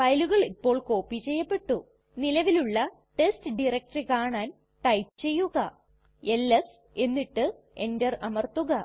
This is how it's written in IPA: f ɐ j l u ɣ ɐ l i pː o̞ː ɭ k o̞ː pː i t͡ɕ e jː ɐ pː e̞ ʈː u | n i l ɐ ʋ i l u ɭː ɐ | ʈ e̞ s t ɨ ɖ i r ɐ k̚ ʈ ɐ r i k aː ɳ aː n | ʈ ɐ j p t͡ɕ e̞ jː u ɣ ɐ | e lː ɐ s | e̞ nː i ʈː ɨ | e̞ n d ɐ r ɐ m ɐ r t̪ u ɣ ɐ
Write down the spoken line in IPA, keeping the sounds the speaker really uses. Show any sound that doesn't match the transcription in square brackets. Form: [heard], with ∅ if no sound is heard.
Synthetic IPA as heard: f ɐ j l u ɣ ɐ [ɭ] i pː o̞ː ɭ k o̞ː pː i t͡ɕ e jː ɐ pː e̞ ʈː u | n i l ɐ ʋ i l u ɭː ɐ | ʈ e̞ s t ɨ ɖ i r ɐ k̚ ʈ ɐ r i k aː ɳ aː n | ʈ ɐ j p t͡ɕ e̞ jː u ɣ ɐ | e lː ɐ s | e̞ nː i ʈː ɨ | e̞ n d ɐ r ɐ m ɐ r t̪ u ɣ ɐ